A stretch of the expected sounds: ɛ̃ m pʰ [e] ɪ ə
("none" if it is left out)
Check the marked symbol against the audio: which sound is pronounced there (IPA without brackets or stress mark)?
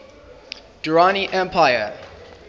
a